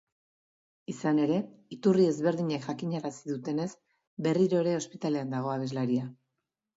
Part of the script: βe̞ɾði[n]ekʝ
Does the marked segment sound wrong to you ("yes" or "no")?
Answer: yes